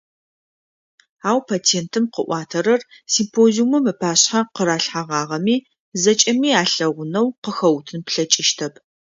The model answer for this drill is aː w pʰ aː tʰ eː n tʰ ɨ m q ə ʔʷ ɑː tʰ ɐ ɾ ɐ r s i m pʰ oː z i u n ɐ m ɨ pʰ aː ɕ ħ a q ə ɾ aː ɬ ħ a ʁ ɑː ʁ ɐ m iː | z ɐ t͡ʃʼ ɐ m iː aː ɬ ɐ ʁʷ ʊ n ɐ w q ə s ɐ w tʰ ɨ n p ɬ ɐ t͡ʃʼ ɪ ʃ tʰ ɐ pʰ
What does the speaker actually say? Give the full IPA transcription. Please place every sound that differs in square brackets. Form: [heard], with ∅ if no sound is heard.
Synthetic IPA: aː w pʰ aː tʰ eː n tʰ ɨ m q ə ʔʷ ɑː tʰ ɐ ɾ ɐ r s i m pʰ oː z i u [m] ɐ m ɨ pʰ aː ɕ ħ a q ə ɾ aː ɬ ħ a ʁ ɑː ʁ ɐ m iː | z ɐ t͡ʃʼ ɐ m iː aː ɬ ɐ ʁʷ ʊ n ɐ w q ə [x] ɐ w tʰ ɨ n p ɬ ɐ t͡ʃʼ ɪ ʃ tʰ ɐ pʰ